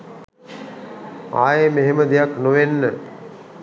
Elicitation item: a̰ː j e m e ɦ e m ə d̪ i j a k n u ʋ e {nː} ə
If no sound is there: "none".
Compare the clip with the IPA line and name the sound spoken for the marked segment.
nː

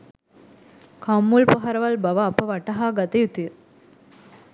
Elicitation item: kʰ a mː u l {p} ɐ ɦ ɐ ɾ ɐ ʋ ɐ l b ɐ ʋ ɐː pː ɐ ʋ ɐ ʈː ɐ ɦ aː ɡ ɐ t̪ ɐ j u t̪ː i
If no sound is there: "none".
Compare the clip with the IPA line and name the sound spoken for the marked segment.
p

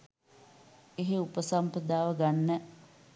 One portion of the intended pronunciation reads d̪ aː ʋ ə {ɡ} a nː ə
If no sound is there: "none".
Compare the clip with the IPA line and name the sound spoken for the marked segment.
ɡ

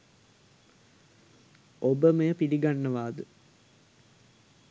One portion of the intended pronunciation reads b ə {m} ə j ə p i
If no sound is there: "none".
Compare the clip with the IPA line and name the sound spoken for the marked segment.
m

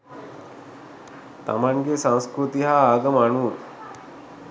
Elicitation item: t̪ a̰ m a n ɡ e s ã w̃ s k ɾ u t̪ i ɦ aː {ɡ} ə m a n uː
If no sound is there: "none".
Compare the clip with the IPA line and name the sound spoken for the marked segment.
ɡ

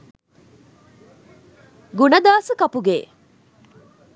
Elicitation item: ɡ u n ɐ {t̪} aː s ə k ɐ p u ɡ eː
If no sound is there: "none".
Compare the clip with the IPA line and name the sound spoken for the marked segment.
d̪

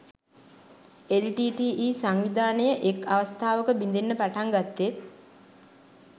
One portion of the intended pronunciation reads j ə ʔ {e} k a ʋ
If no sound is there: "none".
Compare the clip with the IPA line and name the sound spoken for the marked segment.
e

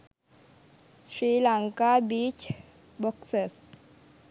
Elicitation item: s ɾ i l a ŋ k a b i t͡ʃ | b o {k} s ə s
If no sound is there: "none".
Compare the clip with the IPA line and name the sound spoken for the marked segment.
k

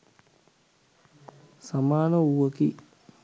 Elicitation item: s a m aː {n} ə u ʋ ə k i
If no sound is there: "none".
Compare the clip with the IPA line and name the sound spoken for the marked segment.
n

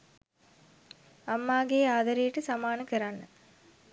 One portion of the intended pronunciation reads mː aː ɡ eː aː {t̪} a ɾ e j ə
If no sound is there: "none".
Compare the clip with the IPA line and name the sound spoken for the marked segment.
d̪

